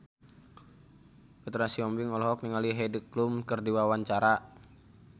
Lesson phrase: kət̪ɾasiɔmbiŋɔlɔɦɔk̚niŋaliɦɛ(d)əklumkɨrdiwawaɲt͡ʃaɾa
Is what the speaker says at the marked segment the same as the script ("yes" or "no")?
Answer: yes